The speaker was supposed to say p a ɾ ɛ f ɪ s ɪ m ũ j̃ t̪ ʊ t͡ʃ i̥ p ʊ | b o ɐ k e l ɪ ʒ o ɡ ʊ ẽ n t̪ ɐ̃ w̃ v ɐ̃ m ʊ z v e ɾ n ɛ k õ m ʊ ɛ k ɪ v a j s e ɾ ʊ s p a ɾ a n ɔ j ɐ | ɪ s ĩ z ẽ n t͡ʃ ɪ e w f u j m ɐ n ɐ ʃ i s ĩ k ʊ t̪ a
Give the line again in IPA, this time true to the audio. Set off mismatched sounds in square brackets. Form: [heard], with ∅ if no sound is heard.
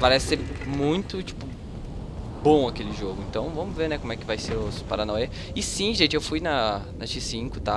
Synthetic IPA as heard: p a ɾ ɛ [s] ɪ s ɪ m ũ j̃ t̪ ʊ t͡ʃ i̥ p ʊ | b [õ] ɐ k e l ɪ ʒ o ɡ ʊ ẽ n t̪ ɐ̃ w̃ v ɐ̃ m ʊ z v e ɾ n ɛ k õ m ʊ ɛ k ɪ v a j s e ɾ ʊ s p a ɾ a n ɔ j ɐ | ɪ s ĩ [ʒ] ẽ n t͡ʃ ɪ e w f u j [n] ɐ n ɐ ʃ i s ĩ k ʊ t̪ a